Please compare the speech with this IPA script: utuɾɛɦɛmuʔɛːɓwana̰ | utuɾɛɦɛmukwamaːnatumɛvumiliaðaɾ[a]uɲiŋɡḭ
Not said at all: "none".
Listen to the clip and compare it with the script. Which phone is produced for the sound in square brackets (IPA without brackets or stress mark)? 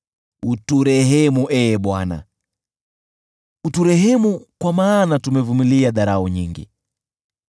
a